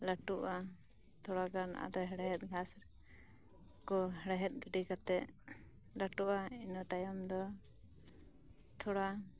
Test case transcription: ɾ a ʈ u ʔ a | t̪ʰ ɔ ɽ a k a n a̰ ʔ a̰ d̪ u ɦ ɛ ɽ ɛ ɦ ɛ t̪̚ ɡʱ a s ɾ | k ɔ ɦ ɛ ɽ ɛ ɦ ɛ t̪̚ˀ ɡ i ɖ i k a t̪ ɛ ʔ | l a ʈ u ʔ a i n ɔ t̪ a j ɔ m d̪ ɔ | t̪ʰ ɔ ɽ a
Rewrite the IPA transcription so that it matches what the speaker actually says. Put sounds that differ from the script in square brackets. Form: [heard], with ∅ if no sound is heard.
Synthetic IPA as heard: [l] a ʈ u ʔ a | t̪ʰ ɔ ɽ a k a n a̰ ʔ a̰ d̪ [ɔ] ɦ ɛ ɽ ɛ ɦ ɛ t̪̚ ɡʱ a s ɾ | k ɔ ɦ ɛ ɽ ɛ ɦ ɛ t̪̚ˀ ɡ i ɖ i k a t̪ ɛ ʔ | l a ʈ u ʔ a i n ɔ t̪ a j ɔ m d̪ ɔ | t̪ʰ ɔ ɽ a